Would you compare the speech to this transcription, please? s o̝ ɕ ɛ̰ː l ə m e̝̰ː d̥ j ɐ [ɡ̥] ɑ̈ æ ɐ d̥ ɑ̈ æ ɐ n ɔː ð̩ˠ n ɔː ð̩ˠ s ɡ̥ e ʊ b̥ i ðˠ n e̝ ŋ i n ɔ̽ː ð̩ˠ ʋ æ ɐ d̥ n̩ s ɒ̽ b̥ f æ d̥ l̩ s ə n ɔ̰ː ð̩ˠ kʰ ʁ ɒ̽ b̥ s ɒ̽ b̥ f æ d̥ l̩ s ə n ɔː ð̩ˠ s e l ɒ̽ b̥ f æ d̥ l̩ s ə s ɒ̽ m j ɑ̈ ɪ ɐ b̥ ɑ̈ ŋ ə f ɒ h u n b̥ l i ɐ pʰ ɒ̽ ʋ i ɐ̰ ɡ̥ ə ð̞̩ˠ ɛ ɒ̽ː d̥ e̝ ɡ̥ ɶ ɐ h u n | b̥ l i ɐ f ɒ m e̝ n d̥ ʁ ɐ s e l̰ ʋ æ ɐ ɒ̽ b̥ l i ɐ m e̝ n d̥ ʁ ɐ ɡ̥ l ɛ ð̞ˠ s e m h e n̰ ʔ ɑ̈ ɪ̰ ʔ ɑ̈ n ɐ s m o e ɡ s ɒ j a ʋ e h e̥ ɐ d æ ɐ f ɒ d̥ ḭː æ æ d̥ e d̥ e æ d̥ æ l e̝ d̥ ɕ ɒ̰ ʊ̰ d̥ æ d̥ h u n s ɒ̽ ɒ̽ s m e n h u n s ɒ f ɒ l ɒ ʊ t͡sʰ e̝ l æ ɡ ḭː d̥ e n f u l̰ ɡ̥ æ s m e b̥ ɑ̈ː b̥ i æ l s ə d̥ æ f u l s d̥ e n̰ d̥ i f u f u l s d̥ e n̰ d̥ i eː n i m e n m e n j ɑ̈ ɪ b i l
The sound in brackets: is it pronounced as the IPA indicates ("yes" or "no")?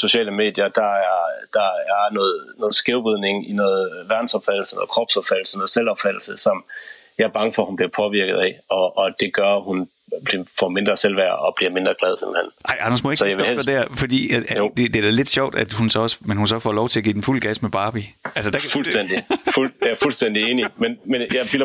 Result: no